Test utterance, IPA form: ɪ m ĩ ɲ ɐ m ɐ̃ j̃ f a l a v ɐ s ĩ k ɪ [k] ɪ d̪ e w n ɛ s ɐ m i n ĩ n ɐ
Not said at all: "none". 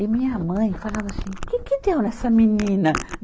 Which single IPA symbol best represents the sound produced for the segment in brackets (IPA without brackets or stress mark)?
k